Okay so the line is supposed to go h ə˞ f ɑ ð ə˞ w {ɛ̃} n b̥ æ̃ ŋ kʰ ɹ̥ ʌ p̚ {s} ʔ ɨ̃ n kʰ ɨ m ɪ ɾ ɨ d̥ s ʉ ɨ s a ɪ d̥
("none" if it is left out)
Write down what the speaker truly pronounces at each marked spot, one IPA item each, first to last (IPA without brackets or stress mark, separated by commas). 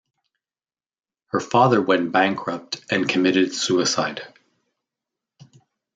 ɛ̃, t